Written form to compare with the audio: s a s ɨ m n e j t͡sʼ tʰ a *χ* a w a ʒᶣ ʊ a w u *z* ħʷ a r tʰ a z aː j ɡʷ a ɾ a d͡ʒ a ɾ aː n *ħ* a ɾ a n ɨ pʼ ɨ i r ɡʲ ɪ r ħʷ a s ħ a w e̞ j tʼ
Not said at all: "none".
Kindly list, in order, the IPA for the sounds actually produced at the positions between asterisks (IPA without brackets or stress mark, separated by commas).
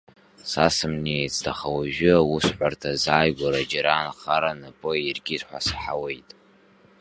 χ, s, χ